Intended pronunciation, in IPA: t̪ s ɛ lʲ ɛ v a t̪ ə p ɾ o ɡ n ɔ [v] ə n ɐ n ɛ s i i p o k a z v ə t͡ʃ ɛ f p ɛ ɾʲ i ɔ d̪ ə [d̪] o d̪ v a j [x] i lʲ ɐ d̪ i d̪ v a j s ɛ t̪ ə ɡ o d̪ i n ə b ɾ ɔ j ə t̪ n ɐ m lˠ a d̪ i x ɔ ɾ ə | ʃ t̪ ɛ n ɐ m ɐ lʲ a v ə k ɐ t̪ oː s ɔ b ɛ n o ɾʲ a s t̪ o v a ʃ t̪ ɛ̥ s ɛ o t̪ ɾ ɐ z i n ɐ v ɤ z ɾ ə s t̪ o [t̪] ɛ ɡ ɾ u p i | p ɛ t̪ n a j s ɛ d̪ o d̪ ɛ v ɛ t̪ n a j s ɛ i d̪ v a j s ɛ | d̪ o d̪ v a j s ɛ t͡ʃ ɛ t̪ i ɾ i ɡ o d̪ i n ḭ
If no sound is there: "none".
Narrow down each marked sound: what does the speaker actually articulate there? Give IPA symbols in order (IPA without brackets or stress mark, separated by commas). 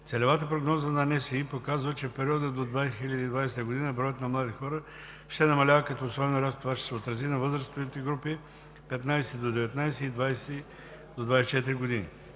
z, d̪, x, t̪